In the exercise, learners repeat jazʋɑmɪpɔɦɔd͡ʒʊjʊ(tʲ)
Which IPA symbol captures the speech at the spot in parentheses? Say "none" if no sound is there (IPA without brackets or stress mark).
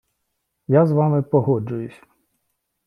sʲ